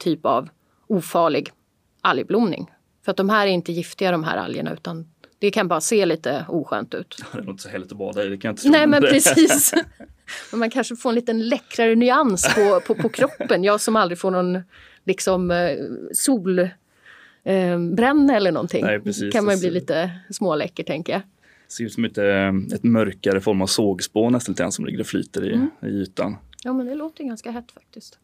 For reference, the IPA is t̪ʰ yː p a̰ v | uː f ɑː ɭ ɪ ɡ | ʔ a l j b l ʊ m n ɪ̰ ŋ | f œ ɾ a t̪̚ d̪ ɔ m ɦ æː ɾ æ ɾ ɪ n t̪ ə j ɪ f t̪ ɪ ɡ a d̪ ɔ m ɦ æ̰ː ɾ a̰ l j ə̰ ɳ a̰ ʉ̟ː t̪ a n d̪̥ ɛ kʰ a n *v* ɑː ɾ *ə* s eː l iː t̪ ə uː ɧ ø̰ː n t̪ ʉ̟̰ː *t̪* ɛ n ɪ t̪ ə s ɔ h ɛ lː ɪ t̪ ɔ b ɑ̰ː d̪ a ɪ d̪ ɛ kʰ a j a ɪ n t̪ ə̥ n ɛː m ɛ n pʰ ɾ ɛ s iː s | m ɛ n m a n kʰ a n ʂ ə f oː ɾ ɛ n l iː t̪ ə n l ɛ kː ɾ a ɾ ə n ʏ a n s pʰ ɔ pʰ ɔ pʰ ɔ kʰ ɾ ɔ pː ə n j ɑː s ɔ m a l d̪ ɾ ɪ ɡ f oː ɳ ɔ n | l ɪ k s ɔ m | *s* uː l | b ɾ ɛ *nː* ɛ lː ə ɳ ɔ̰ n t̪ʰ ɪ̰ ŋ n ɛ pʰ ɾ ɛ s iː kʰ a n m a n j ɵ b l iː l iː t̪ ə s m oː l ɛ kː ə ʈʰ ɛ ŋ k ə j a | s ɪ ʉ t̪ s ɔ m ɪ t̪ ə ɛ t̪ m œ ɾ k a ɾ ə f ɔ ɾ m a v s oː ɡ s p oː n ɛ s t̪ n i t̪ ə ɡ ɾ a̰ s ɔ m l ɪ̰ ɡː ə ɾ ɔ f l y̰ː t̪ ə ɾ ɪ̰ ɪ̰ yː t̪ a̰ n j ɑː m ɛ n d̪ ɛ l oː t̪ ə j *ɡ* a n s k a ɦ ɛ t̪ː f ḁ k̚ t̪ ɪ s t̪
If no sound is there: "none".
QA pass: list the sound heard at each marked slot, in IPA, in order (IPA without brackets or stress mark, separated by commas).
b, a, t̪, s, nː, ɡ